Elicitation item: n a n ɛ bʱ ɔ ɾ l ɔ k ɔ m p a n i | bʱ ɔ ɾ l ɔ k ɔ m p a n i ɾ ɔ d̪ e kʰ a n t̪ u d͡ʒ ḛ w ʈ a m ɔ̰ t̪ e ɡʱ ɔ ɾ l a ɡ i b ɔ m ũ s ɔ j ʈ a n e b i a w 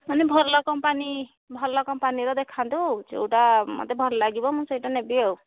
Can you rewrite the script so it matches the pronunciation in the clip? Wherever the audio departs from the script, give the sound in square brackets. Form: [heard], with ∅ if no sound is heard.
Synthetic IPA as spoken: [m] a n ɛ bʱ ɔ ɾ l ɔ k ɔ m p a n i | bʱ ɔ ɾ l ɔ k ɔ m p a n i ɾ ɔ d̪ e kʰ a n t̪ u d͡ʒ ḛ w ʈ a m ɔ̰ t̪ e [bʱ] ɔ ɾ l a ɡ i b ɔ m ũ s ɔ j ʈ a n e b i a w